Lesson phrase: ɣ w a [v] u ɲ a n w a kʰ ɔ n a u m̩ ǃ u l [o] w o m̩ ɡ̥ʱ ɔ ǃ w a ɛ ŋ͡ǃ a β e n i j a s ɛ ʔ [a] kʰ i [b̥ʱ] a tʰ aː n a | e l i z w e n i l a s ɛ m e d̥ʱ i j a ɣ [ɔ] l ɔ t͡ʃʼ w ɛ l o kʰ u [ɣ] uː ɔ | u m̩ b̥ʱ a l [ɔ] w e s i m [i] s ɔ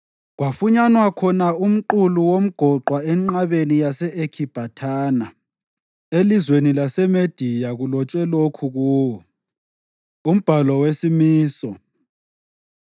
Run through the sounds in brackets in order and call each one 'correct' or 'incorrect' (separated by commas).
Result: incorrect, incorrect, incorrect, correct, incorrect, correct, correct, incorrect